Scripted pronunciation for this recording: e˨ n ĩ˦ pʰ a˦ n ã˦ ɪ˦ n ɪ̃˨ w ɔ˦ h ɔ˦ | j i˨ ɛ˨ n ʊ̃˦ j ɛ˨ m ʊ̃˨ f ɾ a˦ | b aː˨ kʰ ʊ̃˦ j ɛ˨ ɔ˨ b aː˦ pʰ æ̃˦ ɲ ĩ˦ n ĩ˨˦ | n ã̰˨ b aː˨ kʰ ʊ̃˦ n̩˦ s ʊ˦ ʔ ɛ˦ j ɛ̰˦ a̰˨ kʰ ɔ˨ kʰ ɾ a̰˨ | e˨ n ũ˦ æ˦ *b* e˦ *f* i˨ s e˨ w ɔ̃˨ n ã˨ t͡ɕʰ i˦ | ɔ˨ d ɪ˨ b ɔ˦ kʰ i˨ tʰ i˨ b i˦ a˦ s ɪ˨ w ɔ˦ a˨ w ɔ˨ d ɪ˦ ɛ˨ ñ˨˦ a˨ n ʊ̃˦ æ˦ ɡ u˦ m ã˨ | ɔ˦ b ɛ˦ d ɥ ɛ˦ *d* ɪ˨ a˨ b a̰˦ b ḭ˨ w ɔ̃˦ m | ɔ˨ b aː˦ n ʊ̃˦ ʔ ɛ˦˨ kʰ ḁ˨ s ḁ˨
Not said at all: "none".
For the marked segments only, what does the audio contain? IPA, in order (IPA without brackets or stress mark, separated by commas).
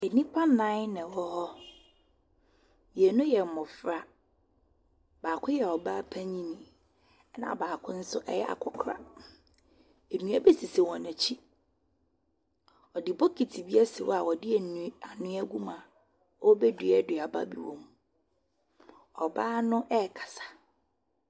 b, s, d